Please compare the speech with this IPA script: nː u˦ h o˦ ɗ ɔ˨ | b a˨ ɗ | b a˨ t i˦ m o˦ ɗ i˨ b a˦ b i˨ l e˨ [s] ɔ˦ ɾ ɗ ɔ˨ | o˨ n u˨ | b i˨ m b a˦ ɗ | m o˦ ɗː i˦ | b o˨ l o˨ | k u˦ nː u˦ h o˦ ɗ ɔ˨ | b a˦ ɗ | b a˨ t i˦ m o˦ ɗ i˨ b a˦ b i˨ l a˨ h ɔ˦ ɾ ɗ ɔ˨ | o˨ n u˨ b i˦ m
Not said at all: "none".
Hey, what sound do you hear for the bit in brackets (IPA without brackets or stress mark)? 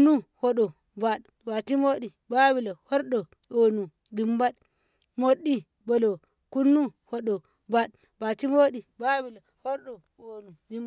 h